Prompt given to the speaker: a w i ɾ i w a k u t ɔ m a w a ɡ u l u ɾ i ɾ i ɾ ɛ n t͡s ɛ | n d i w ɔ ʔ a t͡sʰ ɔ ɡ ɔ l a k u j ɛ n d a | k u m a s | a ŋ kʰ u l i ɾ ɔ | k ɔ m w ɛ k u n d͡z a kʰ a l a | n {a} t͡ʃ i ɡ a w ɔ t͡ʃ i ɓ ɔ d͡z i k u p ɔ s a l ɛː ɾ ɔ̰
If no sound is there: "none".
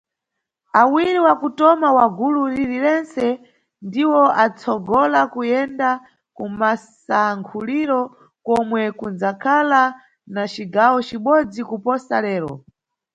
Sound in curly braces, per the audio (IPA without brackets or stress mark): a